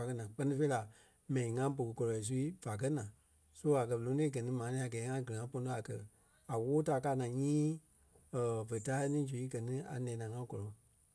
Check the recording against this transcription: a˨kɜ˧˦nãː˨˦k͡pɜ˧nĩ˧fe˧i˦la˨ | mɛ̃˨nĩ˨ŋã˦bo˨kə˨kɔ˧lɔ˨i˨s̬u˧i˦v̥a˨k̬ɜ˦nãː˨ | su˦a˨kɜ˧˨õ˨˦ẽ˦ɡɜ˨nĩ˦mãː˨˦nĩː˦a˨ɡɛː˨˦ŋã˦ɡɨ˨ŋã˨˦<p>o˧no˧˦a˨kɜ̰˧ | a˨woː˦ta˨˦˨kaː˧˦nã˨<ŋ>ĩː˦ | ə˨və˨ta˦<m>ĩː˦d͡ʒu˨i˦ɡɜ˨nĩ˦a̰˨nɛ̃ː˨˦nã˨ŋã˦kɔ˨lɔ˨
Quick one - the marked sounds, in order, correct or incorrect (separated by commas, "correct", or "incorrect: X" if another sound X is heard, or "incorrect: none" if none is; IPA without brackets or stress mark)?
correct, incorrect: ɲ, incorrect: n